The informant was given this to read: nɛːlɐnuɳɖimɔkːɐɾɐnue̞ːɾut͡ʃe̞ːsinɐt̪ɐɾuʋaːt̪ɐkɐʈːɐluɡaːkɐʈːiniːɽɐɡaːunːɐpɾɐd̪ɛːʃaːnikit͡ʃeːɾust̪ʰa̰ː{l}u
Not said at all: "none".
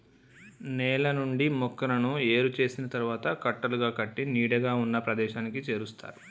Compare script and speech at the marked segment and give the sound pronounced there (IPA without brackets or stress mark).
ɾ